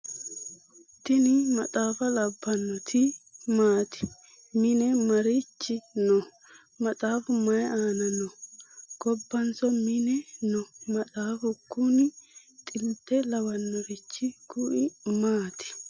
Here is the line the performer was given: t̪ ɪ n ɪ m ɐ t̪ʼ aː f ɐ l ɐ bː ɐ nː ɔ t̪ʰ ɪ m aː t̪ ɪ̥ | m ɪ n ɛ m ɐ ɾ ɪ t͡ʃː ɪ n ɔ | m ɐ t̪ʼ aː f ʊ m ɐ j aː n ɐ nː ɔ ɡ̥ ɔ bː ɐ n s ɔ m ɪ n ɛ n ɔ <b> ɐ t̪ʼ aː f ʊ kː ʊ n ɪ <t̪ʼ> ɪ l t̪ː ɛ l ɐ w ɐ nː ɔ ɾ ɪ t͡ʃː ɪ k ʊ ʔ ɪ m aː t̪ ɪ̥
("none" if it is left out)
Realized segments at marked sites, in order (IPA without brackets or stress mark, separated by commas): m, t̪ʼ